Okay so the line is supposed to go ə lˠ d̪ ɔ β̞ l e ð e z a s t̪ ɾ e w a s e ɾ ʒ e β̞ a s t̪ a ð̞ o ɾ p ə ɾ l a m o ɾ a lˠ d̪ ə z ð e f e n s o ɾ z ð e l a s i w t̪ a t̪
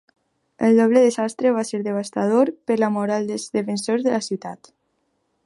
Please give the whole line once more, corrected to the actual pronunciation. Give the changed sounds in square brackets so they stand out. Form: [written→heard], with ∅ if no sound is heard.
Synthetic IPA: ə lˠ d̪ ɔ β̞ l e ð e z a s t̪ ɾ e [w→β] a s e ɾ [ʒ→ð] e β̞ a s t̪ a ð̞ o ɾ p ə ɾ l a m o ɾ a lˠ d̪ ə z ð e f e n s o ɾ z ð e l a s i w t̪ a t̪